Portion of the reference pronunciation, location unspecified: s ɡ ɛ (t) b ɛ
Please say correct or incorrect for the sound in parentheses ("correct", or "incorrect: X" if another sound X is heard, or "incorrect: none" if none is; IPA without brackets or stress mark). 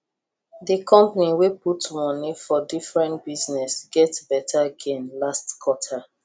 correct